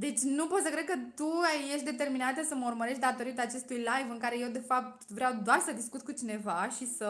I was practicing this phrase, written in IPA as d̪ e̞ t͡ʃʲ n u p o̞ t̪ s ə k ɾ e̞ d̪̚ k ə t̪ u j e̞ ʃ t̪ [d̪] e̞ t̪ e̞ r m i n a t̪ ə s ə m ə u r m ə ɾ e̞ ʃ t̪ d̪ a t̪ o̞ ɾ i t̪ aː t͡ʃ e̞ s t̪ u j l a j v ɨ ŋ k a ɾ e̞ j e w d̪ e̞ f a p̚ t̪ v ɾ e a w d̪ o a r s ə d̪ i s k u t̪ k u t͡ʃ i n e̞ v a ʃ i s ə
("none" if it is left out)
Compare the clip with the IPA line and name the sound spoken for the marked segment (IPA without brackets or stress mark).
d̪